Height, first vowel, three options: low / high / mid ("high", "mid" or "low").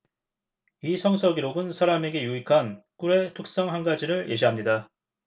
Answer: high